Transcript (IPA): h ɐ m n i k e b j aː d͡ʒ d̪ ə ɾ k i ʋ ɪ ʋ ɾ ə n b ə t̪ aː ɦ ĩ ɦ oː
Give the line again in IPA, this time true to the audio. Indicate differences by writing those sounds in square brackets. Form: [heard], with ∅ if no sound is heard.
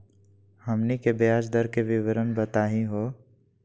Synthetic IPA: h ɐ m n i k e b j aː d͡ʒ d̪ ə ɾ k [e] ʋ ɪ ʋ ɾ ə n b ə t̪ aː ɦ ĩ ɦ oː